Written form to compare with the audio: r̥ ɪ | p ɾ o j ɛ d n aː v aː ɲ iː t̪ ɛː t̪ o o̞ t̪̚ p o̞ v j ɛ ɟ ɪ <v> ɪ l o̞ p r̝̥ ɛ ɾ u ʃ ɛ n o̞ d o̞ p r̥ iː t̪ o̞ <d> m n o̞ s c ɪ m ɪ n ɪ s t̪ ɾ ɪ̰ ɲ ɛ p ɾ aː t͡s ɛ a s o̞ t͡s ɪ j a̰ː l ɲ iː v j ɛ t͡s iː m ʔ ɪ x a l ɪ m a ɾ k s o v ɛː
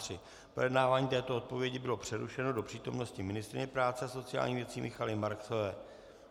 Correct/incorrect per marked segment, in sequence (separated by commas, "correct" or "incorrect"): incorrect, incorrect